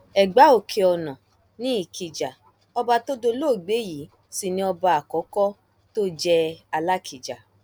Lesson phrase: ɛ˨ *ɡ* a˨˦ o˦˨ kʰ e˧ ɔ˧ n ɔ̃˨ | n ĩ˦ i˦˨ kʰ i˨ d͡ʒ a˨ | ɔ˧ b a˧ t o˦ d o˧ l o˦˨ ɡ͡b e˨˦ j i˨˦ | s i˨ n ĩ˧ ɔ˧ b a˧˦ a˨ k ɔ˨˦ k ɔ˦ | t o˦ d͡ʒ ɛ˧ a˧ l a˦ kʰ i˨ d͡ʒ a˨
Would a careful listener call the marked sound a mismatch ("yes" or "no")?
yes